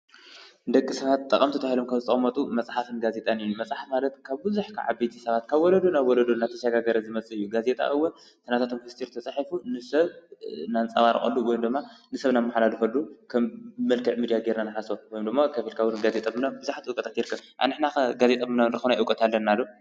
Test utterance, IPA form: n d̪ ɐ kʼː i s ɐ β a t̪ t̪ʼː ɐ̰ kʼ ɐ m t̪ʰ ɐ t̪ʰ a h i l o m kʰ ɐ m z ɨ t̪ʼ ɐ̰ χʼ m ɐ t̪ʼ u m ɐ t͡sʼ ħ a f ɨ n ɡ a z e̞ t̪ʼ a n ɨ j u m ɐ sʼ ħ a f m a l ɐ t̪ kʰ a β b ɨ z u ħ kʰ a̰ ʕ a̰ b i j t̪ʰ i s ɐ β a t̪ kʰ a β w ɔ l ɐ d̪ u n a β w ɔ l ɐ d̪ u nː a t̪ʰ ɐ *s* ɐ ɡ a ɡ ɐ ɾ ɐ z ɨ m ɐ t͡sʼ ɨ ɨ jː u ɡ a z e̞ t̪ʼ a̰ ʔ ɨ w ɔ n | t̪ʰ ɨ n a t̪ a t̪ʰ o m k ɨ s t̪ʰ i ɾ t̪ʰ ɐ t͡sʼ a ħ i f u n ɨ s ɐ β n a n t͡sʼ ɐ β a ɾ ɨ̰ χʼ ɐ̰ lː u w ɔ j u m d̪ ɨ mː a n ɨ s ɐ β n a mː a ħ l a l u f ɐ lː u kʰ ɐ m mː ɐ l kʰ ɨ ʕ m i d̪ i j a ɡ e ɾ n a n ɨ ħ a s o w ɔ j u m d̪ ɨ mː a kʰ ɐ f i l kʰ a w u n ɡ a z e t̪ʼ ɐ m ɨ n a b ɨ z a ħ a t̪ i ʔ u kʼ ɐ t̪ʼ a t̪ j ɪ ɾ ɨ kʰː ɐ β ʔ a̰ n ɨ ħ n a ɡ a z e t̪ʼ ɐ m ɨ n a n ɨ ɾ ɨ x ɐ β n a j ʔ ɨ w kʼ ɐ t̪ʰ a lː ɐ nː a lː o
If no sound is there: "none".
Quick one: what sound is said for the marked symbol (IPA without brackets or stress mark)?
ʃ